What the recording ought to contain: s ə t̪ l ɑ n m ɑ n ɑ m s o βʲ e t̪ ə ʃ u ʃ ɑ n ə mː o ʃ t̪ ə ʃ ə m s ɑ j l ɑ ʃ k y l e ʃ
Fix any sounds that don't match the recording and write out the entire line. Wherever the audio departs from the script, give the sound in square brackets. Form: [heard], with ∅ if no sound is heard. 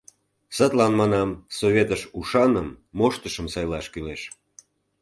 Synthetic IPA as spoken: s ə t̪ l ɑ n m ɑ n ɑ m s o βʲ e t̪ ə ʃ u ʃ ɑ n ə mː o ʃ t̪ ə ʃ ə m s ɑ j l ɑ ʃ k y l e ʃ